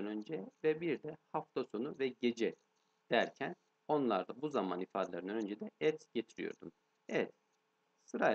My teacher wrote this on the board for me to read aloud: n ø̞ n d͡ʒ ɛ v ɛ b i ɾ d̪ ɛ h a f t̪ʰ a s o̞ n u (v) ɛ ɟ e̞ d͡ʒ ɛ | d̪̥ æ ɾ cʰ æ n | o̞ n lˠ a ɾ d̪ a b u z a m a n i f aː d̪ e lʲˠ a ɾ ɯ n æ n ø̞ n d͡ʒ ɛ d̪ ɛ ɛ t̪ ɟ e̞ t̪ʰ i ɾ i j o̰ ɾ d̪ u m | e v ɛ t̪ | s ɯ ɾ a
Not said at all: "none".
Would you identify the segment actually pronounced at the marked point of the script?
v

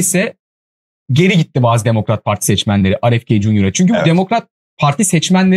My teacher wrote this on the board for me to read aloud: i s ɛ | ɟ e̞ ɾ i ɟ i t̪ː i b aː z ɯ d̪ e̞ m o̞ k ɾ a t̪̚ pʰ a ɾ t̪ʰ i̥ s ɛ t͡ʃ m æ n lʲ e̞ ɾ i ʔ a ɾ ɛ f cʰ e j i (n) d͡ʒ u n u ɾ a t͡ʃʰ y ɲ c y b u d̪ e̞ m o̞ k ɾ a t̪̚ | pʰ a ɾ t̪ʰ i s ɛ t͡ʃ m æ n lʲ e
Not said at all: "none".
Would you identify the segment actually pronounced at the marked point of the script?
none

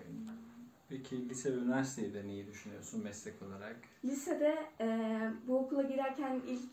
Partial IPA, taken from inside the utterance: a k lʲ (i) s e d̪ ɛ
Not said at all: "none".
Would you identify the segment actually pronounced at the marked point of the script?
i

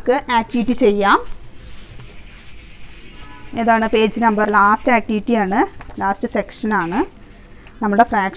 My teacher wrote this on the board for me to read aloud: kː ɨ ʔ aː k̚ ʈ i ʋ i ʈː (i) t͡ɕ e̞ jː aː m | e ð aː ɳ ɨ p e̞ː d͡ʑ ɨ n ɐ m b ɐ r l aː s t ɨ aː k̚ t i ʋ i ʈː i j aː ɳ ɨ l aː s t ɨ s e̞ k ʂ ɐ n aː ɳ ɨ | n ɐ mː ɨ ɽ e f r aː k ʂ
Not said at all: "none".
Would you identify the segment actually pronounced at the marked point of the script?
i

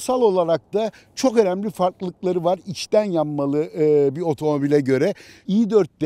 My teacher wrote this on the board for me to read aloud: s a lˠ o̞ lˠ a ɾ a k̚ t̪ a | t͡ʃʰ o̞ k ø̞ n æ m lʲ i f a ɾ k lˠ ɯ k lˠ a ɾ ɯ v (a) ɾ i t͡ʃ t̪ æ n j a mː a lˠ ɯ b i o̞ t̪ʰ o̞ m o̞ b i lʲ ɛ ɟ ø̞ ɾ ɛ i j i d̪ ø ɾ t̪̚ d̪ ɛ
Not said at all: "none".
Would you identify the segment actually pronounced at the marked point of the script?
a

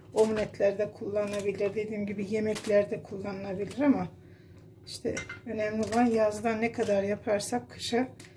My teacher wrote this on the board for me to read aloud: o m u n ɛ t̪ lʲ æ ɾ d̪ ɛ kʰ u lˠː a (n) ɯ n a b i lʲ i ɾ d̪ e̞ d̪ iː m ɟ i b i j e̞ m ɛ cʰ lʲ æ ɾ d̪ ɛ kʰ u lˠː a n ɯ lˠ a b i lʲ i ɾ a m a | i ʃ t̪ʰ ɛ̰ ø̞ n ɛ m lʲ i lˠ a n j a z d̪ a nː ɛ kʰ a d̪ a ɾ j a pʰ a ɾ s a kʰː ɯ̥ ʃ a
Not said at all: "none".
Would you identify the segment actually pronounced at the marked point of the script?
n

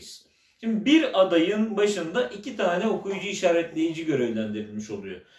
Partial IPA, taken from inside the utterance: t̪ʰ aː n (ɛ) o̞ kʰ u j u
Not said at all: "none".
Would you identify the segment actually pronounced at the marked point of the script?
ɛ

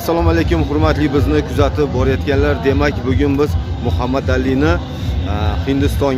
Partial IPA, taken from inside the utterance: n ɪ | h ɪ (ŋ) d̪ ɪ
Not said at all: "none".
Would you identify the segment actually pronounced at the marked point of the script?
n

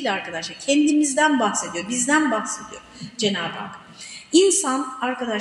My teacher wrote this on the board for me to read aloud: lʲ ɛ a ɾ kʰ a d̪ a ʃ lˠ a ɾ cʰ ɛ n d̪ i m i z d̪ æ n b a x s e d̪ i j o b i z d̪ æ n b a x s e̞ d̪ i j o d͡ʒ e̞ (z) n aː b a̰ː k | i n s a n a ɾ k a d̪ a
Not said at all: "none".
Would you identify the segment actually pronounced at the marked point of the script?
none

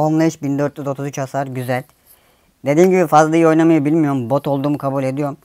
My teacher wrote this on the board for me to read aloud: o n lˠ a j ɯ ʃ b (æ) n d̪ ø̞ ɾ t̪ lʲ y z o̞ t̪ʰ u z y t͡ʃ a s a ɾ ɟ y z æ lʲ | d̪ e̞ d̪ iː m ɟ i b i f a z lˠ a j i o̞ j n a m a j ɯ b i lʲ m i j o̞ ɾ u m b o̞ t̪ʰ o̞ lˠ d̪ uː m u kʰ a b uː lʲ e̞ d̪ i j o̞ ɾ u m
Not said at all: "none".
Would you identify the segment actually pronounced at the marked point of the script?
i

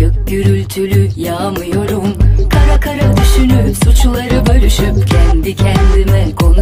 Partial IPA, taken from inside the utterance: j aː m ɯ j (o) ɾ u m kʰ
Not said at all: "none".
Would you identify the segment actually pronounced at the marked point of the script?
o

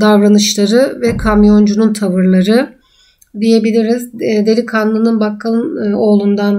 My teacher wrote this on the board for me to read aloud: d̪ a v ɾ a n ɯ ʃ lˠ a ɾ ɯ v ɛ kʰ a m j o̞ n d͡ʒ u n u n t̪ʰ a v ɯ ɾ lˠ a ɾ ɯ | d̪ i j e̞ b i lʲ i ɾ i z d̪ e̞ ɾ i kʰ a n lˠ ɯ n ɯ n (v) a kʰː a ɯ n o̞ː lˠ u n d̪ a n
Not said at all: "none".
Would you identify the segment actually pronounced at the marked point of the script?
b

